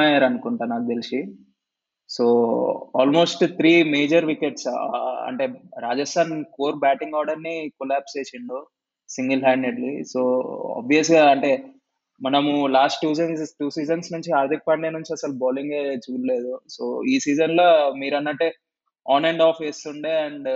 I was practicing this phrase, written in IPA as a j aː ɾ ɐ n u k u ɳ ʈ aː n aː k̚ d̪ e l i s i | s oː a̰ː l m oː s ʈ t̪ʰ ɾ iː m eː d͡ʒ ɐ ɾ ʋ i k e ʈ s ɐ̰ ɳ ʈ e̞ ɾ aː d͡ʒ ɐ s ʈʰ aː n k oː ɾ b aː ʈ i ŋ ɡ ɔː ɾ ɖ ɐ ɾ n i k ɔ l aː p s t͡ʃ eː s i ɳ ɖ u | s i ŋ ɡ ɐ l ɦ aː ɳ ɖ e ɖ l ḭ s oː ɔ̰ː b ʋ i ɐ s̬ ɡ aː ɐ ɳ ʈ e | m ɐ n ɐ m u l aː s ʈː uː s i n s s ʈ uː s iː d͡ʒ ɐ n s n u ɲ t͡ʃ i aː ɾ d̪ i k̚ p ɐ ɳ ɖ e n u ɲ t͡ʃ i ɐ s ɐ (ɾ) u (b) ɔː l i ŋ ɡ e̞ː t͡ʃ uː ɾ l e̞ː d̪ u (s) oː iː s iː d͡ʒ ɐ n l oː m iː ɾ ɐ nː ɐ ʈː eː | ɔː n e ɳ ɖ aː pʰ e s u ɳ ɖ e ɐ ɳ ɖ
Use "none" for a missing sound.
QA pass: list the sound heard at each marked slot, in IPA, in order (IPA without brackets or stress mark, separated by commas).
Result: l, b, s